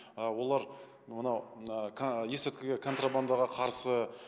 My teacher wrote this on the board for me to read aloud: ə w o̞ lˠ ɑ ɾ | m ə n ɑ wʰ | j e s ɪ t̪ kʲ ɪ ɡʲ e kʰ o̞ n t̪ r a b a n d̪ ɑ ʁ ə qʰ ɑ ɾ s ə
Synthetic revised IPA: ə w o̞ lˠ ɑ ɾ | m ə n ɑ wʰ | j e s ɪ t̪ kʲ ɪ ɡʲ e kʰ o̞ n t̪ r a b a n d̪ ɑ ʁ ɑ qʰ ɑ ɾ s ə